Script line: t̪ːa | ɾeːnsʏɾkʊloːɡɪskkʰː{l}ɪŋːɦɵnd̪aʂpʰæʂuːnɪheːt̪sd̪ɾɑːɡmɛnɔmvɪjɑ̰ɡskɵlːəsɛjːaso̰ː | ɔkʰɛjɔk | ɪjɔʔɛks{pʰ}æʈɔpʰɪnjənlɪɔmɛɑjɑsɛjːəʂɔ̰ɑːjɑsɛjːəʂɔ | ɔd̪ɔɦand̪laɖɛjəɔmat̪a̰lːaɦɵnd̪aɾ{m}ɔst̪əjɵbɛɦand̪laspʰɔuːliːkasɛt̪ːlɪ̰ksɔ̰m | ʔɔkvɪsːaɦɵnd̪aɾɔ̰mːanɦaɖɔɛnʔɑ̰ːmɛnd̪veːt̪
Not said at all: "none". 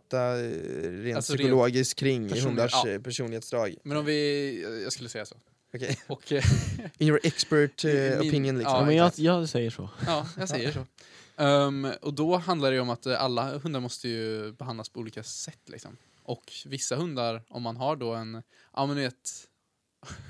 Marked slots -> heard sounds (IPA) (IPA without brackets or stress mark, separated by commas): ɾ, p, m